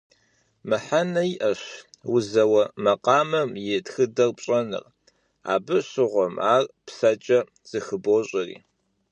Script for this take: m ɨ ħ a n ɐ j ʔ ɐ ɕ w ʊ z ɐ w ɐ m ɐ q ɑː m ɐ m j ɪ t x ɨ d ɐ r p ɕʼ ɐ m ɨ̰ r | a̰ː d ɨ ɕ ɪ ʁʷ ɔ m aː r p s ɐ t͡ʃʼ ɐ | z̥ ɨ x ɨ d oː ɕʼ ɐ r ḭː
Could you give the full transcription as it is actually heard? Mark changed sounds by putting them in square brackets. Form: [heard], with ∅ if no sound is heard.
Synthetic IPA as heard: m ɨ ħ a n ɐ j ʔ ɐ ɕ w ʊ z ɐ w ɐ m ɐ q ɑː m ɐ m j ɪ t x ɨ d ɐ r p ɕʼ ɐ [n] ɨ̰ r | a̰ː [b] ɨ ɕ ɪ ʁʷ ɔ m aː r p s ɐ t͡ʃʼ ɐ | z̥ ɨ x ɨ [b] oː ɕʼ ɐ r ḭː